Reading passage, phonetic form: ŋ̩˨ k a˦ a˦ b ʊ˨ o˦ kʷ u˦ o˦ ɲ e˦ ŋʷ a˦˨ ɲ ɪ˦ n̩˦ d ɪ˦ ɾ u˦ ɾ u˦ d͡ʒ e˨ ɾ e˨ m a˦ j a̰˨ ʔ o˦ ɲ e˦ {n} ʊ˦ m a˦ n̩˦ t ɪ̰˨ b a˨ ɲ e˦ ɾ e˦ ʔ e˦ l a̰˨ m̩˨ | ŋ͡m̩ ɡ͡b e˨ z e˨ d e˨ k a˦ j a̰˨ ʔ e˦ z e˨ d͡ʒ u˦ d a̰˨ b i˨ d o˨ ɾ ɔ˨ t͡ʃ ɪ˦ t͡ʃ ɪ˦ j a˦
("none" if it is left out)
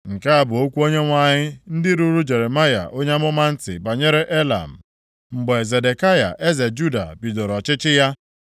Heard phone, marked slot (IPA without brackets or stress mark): m